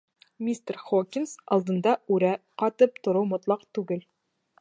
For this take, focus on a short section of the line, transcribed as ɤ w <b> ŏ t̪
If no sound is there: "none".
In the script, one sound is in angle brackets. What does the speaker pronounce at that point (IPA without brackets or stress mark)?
m